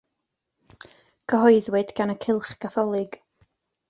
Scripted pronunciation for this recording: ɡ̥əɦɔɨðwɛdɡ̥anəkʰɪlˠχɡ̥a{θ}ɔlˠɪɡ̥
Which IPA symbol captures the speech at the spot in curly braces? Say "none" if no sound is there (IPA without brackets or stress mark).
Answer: θ